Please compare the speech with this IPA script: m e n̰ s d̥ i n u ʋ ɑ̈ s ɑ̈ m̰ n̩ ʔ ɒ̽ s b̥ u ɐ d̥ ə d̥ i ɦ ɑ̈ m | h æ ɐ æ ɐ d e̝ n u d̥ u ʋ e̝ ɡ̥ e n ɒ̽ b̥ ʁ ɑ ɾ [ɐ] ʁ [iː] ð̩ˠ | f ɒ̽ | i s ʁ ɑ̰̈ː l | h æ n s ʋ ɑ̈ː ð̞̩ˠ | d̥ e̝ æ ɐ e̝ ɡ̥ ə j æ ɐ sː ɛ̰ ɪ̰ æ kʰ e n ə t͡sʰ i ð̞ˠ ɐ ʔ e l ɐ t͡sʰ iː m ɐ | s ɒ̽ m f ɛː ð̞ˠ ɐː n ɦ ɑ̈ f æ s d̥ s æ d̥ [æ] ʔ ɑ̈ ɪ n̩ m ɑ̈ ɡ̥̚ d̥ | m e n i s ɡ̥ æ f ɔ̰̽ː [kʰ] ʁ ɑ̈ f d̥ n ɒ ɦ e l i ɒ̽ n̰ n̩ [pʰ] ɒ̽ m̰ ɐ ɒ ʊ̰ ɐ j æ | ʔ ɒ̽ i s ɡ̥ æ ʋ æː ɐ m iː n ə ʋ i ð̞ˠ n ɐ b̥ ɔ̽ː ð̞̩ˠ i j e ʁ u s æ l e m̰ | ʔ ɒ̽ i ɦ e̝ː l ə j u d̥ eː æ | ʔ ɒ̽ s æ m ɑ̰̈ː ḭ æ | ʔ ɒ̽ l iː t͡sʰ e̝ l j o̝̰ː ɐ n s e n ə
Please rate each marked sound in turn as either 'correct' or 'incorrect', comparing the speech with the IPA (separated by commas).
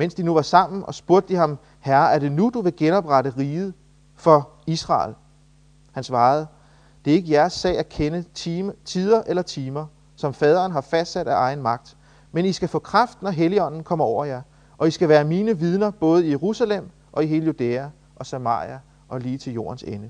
incorrect, correct, correct, correct, incorrect